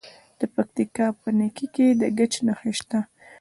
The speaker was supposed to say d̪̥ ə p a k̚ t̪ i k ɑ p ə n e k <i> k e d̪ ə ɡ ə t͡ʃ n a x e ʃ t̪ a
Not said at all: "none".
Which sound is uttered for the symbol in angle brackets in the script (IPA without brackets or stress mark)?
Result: i